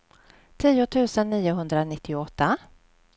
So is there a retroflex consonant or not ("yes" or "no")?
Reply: no